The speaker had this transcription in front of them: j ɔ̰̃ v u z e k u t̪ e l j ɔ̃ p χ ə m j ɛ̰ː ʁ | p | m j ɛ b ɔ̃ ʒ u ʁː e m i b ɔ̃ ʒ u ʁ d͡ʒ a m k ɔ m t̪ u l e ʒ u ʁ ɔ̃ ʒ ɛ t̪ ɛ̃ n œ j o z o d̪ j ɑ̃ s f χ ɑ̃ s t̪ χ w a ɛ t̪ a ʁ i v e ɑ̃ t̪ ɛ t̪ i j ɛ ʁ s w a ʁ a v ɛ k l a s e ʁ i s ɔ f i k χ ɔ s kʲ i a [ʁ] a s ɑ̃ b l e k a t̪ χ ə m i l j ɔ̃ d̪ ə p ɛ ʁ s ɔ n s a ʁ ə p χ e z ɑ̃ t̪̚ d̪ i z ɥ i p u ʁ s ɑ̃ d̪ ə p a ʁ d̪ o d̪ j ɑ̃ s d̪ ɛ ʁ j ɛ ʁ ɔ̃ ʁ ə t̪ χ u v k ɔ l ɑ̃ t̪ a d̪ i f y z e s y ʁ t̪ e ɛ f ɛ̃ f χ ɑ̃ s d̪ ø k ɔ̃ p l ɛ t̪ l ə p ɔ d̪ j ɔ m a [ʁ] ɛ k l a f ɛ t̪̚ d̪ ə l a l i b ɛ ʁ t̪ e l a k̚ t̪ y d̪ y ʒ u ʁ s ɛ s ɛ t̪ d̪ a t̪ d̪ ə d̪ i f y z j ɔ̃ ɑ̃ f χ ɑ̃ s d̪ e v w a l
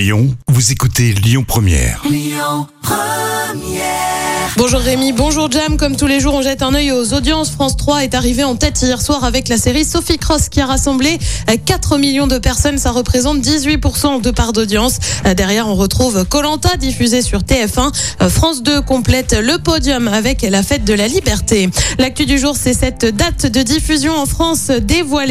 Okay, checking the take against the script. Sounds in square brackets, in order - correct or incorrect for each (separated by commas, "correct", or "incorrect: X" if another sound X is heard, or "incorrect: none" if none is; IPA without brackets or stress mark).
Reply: correct, incorrect: v